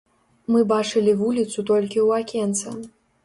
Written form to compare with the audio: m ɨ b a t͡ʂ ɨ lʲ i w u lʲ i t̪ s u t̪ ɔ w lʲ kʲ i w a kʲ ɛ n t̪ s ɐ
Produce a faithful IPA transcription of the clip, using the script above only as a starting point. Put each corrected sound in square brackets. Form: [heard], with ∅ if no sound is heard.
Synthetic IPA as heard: m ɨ b a t͡ʂ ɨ lʲ i [v] u lʲ i t̪ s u t̪ ɔ [∅] lʲ kʲ i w a kʲ ɛ n t̪ s ɐ

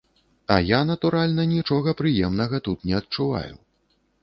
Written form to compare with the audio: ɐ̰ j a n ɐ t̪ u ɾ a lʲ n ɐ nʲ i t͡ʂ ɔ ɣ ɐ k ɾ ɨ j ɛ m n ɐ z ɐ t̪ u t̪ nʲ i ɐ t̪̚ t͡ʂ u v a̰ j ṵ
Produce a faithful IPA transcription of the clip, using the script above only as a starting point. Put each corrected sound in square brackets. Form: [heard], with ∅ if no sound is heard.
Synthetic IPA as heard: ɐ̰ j a n ɐ t̪ u ɾ a lʲ n ɐ nʲ i t͡ʂ ɔ ɣ ɐ [p] ɾ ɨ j ɛ m n ɐ [ɣ] ɐ t̪ u t̪ nʲ [ɛ] ɐ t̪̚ t͡ʂ u v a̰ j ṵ

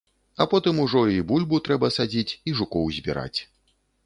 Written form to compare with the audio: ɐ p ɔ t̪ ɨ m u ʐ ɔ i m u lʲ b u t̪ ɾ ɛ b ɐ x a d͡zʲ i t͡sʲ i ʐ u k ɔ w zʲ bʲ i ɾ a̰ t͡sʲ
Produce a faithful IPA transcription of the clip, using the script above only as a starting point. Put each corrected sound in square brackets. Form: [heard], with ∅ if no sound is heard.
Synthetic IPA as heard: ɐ p ɔ t̪ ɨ m u ʐ ɔ i [b] u lʲ b u t̪ ɾ ɛ b ɐ [s] a d͡zʲ i t͡sʲ i ʐ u k ɔ w zʲ bʲ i ɾ a̰ t͡sʲ

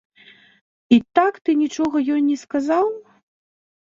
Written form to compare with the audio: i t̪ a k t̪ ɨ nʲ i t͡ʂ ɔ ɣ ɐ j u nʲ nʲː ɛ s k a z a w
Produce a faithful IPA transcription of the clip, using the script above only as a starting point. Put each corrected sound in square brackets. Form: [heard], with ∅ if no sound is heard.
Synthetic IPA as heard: i t̪ a k t̪ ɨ nʲ i t͡ʂ ɔ ɣ ɐ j [ɔ] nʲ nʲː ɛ s k a z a w

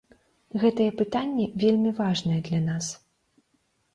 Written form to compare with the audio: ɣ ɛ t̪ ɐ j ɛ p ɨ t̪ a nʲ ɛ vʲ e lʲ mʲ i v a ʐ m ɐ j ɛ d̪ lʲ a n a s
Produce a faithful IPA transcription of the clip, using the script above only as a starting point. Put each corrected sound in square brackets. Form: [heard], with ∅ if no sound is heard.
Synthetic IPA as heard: ɣ ɛ t̪ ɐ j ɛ p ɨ t̪ a [nʲː] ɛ vʲ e lʲ mʲ i v a ʐ [n] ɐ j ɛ d̪ lʲ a n a s

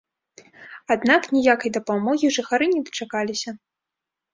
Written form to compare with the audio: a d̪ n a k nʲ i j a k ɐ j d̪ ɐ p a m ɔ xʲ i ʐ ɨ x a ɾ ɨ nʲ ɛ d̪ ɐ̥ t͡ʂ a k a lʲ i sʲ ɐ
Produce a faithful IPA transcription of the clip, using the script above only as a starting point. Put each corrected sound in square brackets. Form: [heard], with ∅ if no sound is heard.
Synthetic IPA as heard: a d̪ n a k nʲ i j a k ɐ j d̪ ɐ p a m ɔ [ɣʲ] i ʐ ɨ x a ɾ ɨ nʲ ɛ d̪ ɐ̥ t͡ʂ a k a lʲ i sʲ ɐ

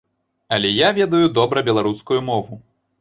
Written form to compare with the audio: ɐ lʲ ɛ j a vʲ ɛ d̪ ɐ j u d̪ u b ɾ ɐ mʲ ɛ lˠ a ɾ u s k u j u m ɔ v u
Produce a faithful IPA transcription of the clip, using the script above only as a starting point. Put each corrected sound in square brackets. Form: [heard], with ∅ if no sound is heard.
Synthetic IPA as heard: ɐ lʲ ɛ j a vʲ ɛ d̪ ɐ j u d̪ [ɔ] b ɾ ɐ [bʲ] ɛ lˠ a ɾ u s k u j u m ɔ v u

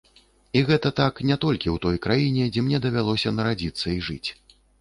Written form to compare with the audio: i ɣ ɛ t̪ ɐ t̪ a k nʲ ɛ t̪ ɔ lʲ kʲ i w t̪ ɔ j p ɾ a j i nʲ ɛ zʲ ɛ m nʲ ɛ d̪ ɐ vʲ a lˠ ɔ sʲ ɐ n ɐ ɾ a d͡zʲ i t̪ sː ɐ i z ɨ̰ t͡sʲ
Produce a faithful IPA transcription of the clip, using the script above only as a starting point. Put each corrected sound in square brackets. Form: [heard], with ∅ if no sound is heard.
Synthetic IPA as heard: i ɣ ɛ t̪ ɐ t̪ a k nʲ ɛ t̪ ɔ lʲ kʲ i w t̪ ɔ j [k] ɾ a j i nʲ ɛ [d͡zʲ] ɛ m nʲ ɛ d̪ ɐ vʲ a lˠ ɔ sʲ ɐ n ɐ ɾ a d͡zʲ i t̪ sː ɐ i [ʐ] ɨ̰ t͡sʲ

